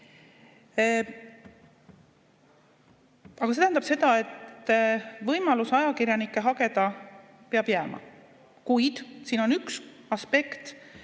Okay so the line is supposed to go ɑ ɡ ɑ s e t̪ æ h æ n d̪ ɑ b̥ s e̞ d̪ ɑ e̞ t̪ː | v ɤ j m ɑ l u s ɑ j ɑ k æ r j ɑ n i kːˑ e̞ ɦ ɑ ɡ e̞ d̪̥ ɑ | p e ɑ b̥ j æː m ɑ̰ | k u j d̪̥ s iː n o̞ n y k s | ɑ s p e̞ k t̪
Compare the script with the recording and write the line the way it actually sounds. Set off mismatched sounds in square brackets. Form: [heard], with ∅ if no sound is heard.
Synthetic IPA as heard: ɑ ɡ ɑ s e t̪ æ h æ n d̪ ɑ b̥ s e̞ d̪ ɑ e̞ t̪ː | v ɤ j m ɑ l u s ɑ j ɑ k [i] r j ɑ n i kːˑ e̞ ɦ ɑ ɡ e̞ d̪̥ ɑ | p e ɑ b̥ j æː m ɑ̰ | k u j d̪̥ s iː n o̞ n y k s | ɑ s p e̞ k t̪